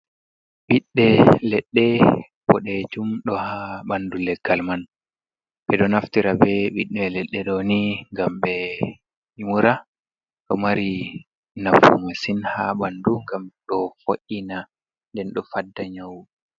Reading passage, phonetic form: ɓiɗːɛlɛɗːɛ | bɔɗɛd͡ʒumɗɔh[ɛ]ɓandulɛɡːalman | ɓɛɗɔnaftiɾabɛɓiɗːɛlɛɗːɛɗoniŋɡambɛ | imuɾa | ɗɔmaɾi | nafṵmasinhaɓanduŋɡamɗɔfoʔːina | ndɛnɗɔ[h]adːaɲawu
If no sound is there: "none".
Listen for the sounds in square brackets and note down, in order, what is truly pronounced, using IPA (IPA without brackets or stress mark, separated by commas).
a, f